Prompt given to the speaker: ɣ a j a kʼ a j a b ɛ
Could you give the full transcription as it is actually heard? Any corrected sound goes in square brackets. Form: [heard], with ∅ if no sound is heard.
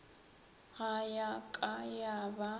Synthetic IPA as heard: ɣ a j a kʼ a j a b [a]